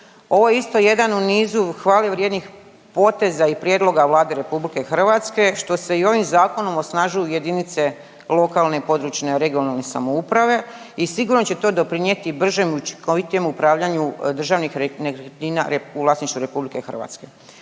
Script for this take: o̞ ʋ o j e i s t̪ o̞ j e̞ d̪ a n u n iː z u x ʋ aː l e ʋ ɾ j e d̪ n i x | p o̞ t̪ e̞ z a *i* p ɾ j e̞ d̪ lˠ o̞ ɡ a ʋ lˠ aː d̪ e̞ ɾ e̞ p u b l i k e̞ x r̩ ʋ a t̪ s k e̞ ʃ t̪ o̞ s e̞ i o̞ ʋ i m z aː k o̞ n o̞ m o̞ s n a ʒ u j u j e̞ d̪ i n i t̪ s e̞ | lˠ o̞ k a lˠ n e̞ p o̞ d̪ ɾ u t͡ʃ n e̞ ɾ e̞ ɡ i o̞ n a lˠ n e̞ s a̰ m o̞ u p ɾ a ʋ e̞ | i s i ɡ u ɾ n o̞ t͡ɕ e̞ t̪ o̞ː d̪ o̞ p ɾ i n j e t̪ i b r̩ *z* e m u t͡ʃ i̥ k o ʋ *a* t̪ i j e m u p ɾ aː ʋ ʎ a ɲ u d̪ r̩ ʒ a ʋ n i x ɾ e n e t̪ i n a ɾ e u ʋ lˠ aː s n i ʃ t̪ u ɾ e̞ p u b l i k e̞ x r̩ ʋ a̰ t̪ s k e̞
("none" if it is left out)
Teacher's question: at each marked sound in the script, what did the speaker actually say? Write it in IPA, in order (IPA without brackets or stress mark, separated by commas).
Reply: i, ʒ, i